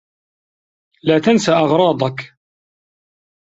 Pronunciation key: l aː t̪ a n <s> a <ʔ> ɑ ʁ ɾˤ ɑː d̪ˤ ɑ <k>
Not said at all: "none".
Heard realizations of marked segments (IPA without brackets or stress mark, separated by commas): s, ʔ, k